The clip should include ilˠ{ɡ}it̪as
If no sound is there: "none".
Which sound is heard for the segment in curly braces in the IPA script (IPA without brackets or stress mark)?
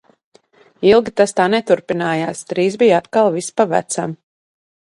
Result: ɡ